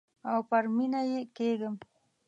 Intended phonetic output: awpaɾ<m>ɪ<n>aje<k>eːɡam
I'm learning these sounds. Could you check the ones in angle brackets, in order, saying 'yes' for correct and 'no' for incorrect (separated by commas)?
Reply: yes, yes, yes